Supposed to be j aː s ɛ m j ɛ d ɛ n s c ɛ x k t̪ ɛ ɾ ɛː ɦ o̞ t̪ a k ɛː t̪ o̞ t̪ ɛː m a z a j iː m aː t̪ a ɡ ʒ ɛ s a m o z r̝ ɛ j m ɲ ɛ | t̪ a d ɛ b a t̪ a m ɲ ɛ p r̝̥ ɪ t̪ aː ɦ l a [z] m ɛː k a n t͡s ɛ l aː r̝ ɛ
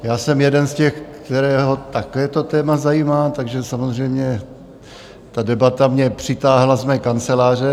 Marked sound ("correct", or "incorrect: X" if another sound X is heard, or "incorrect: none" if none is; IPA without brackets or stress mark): correct